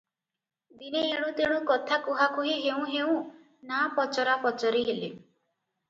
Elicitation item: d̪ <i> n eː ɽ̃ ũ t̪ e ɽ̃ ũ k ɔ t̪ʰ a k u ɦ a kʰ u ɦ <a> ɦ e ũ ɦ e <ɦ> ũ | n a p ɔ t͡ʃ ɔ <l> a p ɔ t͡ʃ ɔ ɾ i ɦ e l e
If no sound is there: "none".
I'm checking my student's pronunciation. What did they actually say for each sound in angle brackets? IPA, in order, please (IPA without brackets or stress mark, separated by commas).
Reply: i, i, none, ɾ